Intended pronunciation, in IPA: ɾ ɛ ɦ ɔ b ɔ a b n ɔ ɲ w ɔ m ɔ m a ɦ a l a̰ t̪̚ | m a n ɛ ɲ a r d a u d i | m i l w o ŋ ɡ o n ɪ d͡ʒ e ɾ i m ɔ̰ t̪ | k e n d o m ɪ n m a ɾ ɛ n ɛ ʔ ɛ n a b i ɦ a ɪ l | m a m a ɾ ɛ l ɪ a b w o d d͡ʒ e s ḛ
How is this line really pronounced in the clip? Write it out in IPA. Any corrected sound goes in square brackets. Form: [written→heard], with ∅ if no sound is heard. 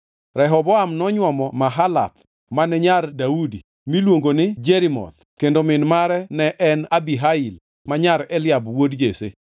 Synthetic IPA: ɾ ɛ ɦ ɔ b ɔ a [b→m] n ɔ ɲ w ɔ m ɔ m a ɦ a l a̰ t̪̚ | m a n ɛ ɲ a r d a u d i | m i l w o ŋ ɡ o n ɪ d͡ʒ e ɾ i m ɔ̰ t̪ | k e n d o m ɪ n m a ɾ ɛ n ɛ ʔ ɛ n a b i ɦ a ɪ l | m a [m→ɲ] a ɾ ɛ l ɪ a b w o d d͡ʒ e s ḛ